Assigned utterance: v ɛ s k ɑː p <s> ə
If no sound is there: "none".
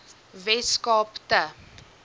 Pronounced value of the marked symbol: t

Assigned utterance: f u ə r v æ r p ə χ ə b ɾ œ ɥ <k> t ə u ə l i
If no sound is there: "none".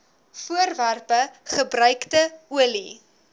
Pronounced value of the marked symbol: k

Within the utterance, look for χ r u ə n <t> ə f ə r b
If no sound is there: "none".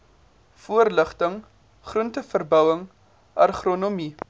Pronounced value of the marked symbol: t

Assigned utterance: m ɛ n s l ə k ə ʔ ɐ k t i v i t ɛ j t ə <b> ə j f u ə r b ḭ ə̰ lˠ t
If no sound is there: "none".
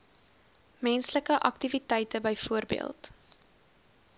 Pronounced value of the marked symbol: b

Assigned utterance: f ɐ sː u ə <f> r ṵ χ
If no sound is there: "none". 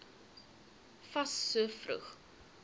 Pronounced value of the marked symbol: f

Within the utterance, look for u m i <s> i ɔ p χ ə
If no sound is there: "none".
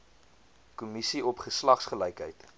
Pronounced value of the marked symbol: s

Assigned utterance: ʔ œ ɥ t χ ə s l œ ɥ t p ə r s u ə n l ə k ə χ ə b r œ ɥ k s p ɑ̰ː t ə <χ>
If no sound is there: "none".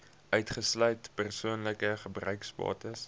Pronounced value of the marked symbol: s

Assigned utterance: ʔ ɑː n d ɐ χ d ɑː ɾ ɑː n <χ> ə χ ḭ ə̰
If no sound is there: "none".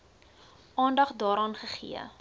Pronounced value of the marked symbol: χ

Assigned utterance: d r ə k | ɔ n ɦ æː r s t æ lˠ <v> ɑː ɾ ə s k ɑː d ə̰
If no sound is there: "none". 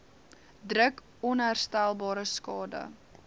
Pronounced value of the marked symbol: b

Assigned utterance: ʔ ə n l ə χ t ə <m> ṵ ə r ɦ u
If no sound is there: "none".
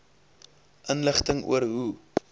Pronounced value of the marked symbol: ŋ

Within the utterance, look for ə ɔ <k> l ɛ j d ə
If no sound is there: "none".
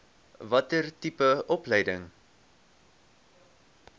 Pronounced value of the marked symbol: p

